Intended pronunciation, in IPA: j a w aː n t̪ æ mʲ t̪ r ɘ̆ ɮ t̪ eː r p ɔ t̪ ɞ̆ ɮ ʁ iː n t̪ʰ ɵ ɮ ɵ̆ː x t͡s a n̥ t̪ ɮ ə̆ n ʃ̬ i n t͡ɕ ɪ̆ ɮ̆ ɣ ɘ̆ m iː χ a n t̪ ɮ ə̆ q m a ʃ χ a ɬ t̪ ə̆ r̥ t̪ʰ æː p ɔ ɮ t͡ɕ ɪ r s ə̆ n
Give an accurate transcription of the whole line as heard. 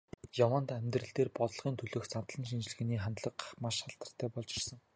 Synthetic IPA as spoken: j a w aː n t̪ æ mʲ t̪ r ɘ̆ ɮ t̪ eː r p ɔ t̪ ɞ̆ ɮ ʁ iː n t̪ʰ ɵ ɮ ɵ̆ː x t͡s a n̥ t̪ ɮ ə̆ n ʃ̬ i n t͡ɕ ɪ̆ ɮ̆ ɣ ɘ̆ n iː χ a n t̪ ɮ ə̆ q m a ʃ χ a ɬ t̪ ə̆ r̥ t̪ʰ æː p ɔ ɮ t͡ɕ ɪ r s ə̆ ŋ